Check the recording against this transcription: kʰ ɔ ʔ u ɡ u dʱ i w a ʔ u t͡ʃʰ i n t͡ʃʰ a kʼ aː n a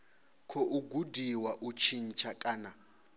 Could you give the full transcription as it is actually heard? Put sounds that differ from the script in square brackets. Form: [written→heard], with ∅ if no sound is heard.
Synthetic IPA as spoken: kʰ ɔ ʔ u ɡ u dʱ i w a ʔ u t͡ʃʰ i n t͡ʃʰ a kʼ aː n a